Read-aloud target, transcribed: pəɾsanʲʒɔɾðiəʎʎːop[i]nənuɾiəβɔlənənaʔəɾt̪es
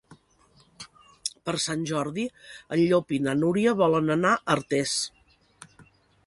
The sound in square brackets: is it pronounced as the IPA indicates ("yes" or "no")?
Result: yes